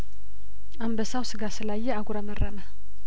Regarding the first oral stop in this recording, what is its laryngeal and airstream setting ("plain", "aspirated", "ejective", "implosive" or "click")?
plain